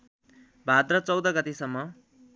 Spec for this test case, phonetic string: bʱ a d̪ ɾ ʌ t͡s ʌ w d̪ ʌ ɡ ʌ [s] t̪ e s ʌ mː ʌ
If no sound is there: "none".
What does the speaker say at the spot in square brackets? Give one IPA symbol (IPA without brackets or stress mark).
none